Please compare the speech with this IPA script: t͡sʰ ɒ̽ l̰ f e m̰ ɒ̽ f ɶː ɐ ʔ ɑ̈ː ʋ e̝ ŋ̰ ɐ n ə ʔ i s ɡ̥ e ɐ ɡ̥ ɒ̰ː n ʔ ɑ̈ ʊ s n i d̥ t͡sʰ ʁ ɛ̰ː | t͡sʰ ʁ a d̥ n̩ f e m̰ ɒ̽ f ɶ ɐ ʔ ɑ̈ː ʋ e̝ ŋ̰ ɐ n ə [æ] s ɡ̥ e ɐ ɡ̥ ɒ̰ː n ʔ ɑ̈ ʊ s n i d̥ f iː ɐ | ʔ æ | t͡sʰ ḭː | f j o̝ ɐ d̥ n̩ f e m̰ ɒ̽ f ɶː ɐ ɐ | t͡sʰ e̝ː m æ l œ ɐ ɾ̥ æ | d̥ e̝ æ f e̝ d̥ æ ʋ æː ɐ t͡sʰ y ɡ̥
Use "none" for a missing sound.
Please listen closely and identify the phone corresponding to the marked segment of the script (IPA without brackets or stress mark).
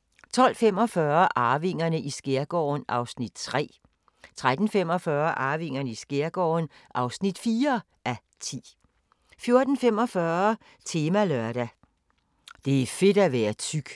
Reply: i